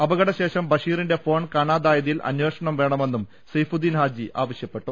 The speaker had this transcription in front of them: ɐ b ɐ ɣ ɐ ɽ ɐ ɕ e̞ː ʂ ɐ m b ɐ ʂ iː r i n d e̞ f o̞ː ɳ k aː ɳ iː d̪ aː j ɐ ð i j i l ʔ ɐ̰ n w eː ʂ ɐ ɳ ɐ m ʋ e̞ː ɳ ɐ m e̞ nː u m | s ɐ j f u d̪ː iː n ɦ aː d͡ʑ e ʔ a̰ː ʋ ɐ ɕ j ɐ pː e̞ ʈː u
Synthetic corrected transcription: ɐ b ɐ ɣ ɐ ɽ ɐ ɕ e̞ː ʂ ɐ m b ɐ ʂ iː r i n d e̞ f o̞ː ɳ k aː ɳ aː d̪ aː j ɐ ð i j i l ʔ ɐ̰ n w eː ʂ ɐ ɳ ɐ m ʋ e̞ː ɳ ɐ m e̞ nː u m | s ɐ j f u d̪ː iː n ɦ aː d͡ʑ i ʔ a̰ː ʋ ɐ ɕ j ɐ pː e̞ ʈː u

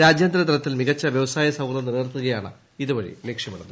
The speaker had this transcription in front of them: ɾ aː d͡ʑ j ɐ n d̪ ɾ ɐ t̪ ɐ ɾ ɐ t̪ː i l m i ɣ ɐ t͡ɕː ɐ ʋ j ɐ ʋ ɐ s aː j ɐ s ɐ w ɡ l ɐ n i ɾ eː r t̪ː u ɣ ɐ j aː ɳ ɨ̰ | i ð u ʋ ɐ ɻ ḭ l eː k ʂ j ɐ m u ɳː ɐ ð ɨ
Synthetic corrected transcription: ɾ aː d͡ʑ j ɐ n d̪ ɾ ɐ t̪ ɐ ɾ ɐ t̪ː i l m i ɣ ɐ t͡ɕː ɐ ʋ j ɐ ʋ ɐ s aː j ɐ s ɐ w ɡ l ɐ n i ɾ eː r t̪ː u ɣ ɐ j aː ɳ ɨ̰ | i ð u ʋ ɐ ɻ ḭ l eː k ʂ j ɐ m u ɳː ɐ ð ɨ

